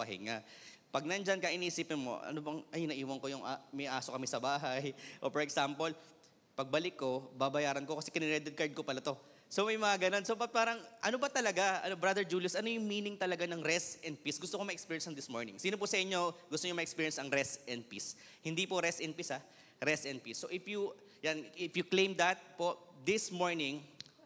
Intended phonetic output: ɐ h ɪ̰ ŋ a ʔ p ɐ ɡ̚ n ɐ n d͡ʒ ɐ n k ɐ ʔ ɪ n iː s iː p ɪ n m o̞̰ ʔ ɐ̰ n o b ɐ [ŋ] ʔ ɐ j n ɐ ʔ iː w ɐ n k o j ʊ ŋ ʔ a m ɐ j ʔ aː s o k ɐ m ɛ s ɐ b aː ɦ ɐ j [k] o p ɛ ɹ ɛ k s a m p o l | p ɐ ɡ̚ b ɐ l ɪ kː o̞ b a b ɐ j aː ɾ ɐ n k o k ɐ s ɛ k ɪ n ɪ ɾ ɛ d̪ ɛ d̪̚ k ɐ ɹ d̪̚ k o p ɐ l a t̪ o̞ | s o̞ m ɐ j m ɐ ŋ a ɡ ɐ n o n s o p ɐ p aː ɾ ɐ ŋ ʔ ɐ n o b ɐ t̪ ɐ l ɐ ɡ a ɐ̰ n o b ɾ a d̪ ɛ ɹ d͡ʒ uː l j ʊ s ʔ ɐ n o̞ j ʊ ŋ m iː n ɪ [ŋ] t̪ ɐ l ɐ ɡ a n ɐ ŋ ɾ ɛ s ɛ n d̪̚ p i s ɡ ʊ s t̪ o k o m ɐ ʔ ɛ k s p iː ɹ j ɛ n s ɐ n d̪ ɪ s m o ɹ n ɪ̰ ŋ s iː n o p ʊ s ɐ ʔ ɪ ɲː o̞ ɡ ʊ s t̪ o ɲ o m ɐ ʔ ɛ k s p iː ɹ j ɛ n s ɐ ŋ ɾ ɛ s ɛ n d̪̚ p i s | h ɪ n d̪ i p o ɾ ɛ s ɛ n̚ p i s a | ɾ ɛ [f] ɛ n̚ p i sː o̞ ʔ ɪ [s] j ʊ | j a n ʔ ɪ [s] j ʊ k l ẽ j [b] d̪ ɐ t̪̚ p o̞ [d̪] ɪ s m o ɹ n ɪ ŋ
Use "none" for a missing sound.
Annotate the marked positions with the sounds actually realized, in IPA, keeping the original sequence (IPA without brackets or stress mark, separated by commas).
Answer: ŋ, ʔ, ŋ, s, f, f, m, d̪